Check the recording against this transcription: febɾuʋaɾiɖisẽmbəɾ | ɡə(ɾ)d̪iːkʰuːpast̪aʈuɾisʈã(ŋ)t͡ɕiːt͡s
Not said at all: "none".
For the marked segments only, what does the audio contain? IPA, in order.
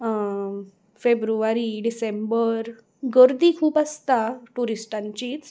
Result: ɾ, ɲ

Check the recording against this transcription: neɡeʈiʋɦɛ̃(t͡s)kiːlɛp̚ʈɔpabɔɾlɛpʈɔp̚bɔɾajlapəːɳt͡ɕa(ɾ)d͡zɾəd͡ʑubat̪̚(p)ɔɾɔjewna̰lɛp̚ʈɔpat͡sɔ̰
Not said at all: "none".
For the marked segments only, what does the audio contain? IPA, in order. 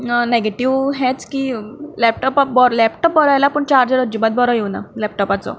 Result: t͡s, ɾ, b

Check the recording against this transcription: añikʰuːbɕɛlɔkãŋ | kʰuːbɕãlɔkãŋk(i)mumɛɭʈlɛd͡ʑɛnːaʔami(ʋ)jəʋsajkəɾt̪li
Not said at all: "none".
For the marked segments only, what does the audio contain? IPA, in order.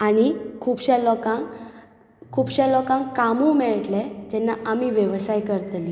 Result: a, ʋ

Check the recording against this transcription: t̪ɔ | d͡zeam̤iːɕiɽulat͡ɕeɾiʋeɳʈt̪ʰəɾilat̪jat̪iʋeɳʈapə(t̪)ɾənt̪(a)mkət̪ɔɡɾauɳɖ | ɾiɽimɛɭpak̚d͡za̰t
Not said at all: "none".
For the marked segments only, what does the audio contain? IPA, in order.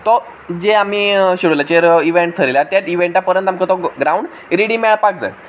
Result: none, a

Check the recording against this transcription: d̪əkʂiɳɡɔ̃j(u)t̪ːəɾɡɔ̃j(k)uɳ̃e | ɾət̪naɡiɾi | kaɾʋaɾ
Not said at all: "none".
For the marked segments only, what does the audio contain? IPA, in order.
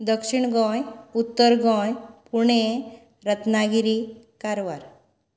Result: u, p

